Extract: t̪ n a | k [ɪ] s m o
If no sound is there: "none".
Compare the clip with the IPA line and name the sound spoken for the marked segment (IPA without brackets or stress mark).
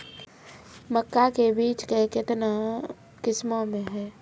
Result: ɪ